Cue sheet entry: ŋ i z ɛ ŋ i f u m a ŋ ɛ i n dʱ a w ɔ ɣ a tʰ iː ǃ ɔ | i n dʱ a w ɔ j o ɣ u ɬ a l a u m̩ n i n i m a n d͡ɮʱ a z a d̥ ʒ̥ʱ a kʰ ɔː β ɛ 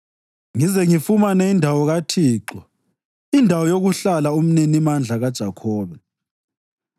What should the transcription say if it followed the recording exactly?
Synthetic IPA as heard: ŋ i z ɛ ŋ i f u m a n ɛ i n dʱ a w ɔ ɣ a tʰ iː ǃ ɔ | i n dʱ a w ɔ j o ɣ u ɬ a l a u m̩ n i n i m a n d͡ɮʱ a ɣ a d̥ ʒ̥ʱ a kʰ ɔː β ɛ